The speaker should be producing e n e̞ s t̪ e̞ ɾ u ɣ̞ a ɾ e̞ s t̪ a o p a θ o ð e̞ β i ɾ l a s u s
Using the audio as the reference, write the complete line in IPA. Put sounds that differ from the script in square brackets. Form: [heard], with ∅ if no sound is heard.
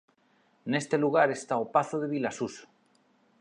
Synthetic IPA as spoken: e n e̞ s t̪ e̞ [l] u ɣ̞ a ɾ e̞ s t̪ a o p a θ o ð e̞ β i [∅] l a s u s